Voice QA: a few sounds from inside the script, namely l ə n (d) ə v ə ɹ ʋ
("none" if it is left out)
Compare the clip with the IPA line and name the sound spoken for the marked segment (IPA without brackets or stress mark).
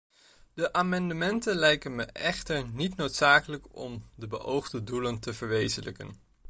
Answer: t